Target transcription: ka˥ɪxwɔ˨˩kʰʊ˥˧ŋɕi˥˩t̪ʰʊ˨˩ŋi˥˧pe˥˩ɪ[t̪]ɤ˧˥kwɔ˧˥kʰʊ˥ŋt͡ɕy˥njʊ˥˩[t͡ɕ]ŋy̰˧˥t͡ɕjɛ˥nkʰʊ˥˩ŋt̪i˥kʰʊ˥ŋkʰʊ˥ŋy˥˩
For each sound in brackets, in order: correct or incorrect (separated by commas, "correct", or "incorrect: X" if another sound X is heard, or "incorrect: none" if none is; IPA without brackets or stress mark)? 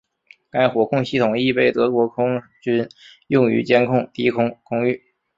correct, incorrect: none